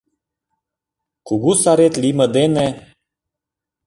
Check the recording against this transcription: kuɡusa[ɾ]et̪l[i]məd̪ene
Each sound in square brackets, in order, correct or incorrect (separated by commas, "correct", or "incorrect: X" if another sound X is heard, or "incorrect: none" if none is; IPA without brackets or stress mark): correct, correct